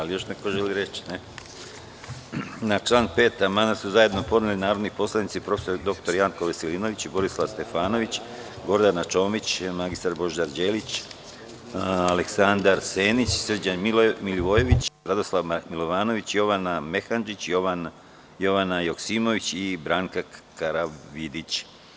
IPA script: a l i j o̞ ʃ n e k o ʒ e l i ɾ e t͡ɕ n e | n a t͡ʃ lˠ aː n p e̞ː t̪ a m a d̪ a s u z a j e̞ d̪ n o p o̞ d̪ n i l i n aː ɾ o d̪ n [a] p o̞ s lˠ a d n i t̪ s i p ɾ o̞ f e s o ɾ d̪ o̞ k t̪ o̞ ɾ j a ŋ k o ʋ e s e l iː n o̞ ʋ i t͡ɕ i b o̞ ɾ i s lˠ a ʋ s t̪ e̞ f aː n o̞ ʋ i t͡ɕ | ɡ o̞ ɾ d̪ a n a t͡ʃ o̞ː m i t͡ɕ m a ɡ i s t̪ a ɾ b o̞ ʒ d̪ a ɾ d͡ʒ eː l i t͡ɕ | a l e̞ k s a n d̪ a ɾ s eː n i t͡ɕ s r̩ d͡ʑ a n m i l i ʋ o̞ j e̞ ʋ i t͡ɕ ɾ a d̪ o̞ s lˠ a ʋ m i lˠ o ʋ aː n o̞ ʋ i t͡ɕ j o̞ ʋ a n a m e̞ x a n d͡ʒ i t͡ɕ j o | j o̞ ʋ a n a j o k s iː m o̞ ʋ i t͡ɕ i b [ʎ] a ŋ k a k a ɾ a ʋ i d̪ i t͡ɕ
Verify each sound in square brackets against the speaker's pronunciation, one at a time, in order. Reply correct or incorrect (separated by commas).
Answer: incorrect, incorrect